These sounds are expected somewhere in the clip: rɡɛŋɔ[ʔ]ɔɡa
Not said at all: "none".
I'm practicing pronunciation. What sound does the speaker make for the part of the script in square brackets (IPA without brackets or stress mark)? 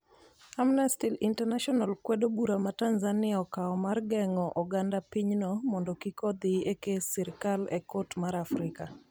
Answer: ʔ